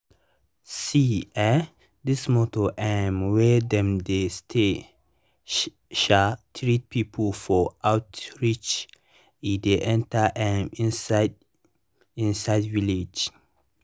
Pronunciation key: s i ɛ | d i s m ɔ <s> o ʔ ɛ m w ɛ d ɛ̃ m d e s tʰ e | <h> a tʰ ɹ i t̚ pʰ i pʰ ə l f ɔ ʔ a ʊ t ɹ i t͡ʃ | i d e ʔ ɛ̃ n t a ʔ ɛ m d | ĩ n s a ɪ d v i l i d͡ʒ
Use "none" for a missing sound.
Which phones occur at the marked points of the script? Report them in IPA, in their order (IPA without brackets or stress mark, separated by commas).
t, ʃ